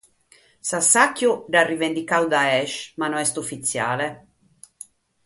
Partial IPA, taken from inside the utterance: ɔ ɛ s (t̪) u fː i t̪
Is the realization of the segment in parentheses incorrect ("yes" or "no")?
no